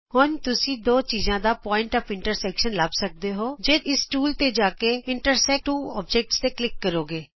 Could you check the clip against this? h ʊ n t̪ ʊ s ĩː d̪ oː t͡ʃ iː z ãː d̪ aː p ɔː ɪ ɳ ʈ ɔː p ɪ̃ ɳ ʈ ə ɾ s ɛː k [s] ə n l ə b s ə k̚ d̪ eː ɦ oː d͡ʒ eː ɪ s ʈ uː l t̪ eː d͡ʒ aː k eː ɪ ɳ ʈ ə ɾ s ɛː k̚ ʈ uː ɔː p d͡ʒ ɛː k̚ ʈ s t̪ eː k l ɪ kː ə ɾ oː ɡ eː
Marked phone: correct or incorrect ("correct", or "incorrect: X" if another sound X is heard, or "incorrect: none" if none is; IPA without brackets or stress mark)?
incorrect: ʃ